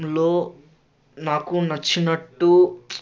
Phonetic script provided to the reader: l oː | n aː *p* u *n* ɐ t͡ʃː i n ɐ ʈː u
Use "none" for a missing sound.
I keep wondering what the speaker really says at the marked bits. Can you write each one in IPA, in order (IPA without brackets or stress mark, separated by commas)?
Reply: k, n